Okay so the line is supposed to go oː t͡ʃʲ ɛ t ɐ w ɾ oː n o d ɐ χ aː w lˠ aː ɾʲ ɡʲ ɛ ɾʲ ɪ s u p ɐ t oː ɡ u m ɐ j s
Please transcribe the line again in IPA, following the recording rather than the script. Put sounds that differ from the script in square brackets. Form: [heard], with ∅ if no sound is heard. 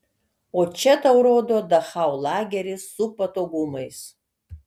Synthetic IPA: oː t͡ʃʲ ɛ t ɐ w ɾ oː [d] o d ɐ χ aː w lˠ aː [∅] ɡʲ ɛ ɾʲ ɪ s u p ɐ t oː ɡ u m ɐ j s

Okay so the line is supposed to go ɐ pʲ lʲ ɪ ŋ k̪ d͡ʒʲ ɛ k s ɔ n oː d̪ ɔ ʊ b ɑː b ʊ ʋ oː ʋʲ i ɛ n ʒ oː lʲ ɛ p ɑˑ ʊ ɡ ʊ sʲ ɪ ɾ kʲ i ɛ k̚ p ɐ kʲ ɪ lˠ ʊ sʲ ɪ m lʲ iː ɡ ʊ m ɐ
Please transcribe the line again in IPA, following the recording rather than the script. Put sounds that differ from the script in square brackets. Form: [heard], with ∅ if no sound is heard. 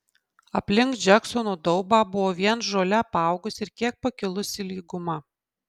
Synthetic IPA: ɐ pʲ lʲ ɪ ŋ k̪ d͡ʒʲ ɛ k s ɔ n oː d̪ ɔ ʊ b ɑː b ʊ ʋ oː ʋʲ i ɛ n ʒ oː lʲ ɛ p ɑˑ ʊ ɡ ʊ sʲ ɪ ɾ kʲ i ɛ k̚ p ɐ kʲ ɪ lˠ ʊ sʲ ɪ [∅] lʲ iː ɡ ʊ m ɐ

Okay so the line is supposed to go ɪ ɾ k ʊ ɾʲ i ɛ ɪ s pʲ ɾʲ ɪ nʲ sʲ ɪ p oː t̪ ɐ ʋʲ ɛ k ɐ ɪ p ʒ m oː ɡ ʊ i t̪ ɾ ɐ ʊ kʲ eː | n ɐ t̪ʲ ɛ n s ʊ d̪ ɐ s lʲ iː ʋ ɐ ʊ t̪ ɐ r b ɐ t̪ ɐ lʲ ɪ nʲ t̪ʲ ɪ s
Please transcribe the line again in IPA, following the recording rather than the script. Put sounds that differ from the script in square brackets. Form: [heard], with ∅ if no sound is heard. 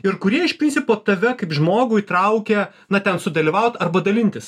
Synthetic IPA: ɪ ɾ k ʊ ɾʲ i ɛ ɪ [ʃ] pʲ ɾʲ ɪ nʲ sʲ ɪ p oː t̪ ɐ ʋʲ ɛ k ɐ ɪ p ʒ m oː ɡ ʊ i t̪ ɾ ɐ ʊ kʲ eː | n ɐ t̪ʲ ɛ n s ʊ d̪ ɐ [∅] lʲ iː ʋ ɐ ʊ t̪ ɐ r b ɐ [d̪] ɐ lʲ ɪ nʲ t̪ʲ ɪ s

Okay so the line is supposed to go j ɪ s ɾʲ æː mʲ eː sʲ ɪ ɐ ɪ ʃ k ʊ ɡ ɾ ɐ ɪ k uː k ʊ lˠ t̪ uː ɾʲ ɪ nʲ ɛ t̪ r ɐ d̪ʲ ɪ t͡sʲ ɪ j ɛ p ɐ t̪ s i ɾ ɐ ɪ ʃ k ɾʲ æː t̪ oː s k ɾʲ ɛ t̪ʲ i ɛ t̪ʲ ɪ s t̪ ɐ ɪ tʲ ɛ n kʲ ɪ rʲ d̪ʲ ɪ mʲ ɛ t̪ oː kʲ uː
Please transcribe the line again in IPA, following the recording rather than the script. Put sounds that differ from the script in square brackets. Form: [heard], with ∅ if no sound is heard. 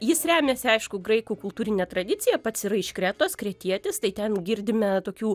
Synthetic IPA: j ɪ s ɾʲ æː mʲ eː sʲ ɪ ɐ ɪ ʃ k ʊ ɡ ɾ ɐ ɪ k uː k ʊ lˠ t̪ uː ɾʲ ɪ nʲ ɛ t̪ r ɐ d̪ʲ ɪ t͡sʲ ɪ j ɛ p ɐ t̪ s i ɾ ɐ ɪ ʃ k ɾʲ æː t̪ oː s k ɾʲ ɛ t̪ʲ i ɛ t̪ʲ ɪ s t̪ ɐ ɪ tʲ ɛ n [ɡʲ] ɪ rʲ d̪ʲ ɪ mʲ ɛ t̪ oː kʲ uː

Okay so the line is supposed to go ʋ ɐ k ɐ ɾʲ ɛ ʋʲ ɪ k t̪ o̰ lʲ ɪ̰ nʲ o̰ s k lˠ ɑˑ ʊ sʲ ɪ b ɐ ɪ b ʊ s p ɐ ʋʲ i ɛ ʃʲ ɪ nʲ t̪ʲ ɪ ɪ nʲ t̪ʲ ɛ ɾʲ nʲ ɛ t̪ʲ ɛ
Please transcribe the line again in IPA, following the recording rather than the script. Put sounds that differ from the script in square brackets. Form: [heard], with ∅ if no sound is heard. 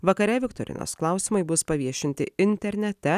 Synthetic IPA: ʋ ɐ k ɐ ɾʲ ɛ ʋʲ ɪ k t̪ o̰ [ɾʲ] ɪ̰ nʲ o̰ s k lˠ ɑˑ ʊ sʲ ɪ [m] ɐ ɪ b ʊ s p ɐ ʋʲ i ɛ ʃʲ ɪ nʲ t̪ʲ ɪ ɪ nʲ t̪ʲ ɛ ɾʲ nʲ ɛ t̪ʲ ɛ

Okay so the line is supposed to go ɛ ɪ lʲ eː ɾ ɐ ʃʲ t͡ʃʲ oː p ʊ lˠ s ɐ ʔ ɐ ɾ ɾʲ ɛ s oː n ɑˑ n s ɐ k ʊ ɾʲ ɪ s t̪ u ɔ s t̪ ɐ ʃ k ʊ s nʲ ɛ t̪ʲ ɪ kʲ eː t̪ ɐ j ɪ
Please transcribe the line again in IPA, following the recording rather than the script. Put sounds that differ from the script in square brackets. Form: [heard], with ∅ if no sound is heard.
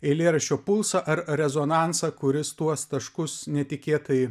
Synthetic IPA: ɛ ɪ lʲ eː ɾ ɐ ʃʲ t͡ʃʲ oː p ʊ lˠ s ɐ ʔ ɐ ɾ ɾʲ ɛ [z] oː n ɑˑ n s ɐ k ʊ ɾʲ ɪ s t̪ u ɔ s t̪ ɐ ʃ k ʊ s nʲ ɛ t̪ʲ ɪ kʲ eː t̪ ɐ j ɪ

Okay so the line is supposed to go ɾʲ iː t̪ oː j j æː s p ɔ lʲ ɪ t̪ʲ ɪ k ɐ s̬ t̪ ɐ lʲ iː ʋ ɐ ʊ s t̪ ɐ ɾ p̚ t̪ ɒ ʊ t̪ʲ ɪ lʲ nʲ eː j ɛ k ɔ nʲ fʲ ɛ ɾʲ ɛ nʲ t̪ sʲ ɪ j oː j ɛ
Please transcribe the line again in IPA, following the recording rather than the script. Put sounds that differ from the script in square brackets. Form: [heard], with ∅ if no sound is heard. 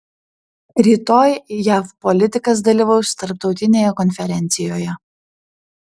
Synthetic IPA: ɾʲ iː t̪ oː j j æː [f] p ɔ lʲ ɪ t̪ʲ ɪ k ɐ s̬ [d̪] ɐ lʲ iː ʋ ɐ ʊ s t̪ ɐ ɾ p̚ t̪ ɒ ʊ t̪ʲ ɪ [∅] nʲ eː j ɛ k ɔ nʲ fʲ ɛ ɾʲ ɛ nʲ t̪ sʲ ɪ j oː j ɛ

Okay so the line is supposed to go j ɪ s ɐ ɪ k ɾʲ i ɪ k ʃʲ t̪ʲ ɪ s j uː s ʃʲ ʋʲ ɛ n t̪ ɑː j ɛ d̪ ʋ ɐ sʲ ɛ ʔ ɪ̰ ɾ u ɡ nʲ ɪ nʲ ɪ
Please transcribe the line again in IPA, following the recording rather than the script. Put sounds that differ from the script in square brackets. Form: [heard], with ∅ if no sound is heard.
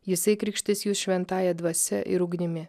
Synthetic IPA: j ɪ s ɐ ɪ k ɾʲ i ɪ k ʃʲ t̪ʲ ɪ s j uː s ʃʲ ʋʲ ɛ n t̪ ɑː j ɛ d̪ ʋ ɐ sʲ ɛ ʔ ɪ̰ ɾ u ɡ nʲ ɪ [mʲ] ɪ

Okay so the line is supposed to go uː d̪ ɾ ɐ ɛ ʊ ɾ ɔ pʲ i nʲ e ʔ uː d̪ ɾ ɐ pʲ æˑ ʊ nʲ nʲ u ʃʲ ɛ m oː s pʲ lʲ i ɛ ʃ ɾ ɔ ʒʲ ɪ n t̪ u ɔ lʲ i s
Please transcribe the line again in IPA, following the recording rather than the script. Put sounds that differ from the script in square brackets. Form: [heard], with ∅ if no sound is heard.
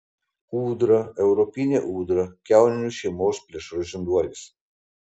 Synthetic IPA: uː d̪ ɾ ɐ ɛ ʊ ɾ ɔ pʲ i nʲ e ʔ uː d̪ ɾ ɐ [kʲ] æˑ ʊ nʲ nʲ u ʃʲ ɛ m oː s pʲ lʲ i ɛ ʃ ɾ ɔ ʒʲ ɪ n [d̪] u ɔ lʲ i s

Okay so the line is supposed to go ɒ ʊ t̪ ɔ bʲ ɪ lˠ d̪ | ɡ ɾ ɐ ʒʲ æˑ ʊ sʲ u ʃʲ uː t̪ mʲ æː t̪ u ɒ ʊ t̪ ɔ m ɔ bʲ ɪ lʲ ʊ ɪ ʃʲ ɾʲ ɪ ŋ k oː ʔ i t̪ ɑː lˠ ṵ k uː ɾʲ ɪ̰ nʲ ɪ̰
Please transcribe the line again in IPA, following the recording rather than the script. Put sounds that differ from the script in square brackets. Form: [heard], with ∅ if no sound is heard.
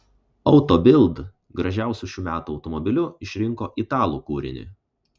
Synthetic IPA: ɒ ʊ t̪ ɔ bʲ ɪ lˠ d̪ | ɡ ɾ ɐ ʒʲ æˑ ʊ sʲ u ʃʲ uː [∅] mʲ æː t̪ u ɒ ʊ t̪ ɔ m ɔ bʲ ɪ lʲ ʊ ɪ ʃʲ ɾʲ ɪ ŋ k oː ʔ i t̪ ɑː lˠ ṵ k uː ɾʲ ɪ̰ nʲ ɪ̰

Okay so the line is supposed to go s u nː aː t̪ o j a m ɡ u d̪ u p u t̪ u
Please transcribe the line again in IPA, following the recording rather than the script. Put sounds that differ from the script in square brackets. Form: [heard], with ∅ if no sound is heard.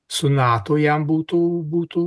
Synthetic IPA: s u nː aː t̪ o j a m [b] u [t̪] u [b] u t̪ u

